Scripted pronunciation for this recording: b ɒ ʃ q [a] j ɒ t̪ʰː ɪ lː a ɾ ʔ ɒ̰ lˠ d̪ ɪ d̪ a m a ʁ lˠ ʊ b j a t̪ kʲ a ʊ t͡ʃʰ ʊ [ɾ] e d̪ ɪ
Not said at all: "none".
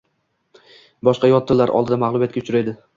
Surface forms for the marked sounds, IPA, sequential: ɑ, ɾ

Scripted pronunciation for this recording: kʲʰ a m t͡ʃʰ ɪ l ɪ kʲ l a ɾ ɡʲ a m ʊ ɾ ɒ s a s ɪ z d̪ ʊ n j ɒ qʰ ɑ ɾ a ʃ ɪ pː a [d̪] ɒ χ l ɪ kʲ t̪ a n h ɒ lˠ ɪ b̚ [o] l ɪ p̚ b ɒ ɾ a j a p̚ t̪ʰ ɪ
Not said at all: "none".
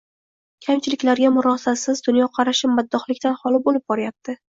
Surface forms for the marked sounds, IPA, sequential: d̪ː, o

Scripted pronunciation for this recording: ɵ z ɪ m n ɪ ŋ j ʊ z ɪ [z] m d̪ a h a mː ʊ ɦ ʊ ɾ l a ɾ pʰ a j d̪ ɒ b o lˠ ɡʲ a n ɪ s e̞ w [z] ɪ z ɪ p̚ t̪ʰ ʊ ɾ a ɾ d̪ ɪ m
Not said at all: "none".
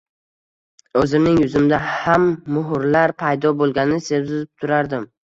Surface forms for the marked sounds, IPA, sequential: none, z

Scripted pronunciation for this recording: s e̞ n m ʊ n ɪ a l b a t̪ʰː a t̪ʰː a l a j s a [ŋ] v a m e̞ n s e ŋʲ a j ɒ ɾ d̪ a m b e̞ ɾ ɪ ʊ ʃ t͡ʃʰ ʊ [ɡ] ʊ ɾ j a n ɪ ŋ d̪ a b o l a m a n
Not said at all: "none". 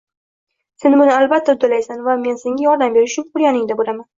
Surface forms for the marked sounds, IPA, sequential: n, ŋ

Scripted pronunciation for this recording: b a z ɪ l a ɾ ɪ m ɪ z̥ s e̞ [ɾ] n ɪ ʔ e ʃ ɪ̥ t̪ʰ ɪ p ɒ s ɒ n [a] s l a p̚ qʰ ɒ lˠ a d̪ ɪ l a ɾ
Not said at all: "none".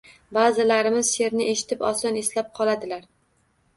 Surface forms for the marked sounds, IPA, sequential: ɾ, e

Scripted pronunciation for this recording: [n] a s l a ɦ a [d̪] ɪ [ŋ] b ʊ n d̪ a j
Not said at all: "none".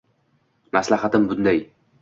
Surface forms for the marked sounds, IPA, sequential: m, t̪, m

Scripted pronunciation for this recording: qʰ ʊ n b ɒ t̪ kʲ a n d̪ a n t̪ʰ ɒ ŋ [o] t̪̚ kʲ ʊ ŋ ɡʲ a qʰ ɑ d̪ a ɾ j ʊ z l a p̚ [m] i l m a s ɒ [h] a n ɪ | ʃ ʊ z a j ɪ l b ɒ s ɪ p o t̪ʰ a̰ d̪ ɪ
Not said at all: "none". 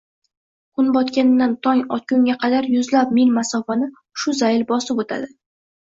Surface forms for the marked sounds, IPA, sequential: ɒ, m, f

